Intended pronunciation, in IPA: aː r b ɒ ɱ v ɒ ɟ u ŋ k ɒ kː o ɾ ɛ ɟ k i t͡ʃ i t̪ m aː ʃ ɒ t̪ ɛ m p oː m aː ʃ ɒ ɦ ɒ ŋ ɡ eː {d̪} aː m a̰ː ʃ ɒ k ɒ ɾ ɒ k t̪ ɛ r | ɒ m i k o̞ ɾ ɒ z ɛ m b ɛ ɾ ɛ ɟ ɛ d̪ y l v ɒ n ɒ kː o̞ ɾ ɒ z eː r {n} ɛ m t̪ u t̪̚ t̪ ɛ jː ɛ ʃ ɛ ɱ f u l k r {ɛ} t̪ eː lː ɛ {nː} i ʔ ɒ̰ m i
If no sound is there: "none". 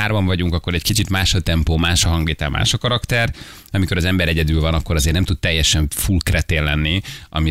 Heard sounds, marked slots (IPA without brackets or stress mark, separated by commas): t̪, n, ɛ, nː